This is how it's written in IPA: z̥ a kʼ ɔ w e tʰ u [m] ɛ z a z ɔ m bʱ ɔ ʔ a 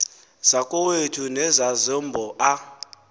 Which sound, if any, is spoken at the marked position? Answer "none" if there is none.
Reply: n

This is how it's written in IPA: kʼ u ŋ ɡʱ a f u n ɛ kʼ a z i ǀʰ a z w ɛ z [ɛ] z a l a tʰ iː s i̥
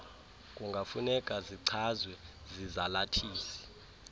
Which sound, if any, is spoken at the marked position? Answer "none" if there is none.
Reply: i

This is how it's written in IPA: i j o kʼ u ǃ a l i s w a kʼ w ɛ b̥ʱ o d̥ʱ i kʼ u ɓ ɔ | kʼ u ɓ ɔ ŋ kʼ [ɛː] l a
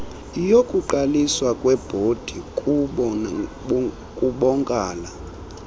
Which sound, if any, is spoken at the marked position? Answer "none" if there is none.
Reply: aː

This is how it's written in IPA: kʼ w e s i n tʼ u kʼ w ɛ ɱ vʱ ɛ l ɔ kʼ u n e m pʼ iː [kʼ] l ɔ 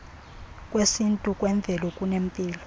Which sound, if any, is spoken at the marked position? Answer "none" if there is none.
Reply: none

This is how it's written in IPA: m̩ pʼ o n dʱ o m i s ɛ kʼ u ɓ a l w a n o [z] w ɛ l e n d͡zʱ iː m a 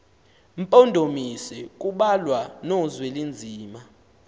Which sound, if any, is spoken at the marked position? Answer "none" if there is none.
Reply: z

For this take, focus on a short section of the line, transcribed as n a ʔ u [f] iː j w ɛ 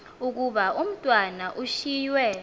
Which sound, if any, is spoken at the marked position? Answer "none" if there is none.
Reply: ʃ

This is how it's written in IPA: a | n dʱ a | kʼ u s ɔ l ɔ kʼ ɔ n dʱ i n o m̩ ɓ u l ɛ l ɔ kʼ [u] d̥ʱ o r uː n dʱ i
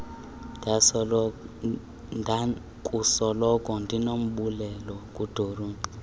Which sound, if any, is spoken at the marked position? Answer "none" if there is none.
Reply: u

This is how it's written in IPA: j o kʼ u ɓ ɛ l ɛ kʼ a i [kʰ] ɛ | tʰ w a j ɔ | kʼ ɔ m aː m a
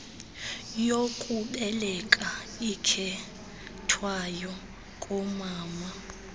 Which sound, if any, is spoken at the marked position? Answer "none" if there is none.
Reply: kʰ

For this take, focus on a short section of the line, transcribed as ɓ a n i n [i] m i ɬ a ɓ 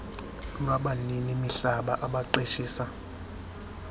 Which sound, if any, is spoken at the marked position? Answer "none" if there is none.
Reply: i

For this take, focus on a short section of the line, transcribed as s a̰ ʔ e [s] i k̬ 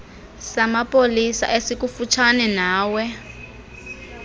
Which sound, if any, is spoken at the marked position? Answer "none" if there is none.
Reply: s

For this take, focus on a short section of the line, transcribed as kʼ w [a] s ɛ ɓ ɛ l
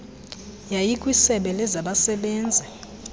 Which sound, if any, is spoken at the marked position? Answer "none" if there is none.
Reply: i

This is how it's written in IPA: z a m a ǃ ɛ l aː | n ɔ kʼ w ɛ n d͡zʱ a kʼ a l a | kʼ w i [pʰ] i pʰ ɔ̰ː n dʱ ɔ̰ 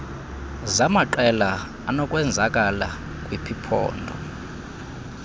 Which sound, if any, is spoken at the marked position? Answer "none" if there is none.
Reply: pʰ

